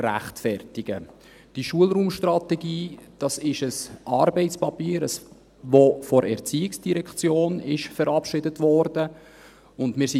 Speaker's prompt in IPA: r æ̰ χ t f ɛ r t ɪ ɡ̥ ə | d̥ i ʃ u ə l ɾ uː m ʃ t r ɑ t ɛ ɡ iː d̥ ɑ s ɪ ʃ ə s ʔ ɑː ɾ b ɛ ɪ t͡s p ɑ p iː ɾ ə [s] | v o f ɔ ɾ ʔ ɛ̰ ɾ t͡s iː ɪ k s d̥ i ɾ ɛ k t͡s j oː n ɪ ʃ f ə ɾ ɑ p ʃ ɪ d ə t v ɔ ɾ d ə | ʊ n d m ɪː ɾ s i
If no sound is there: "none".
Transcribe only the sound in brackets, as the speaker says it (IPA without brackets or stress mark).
s